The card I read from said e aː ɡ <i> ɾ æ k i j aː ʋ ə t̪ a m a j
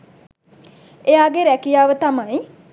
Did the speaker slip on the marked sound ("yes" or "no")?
yes